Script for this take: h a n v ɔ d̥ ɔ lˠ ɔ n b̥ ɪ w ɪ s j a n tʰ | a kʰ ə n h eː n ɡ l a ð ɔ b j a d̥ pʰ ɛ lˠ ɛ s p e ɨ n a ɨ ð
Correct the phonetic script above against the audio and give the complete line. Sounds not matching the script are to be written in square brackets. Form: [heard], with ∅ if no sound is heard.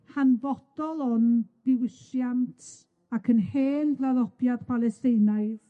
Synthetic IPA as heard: h a n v ɔ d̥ ɔ lˠ ɔ n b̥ ɪ w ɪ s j a n tʰ | a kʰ ə n h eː n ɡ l a ð ɔ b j a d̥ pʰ [a] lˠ ɛ s [t] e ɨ n a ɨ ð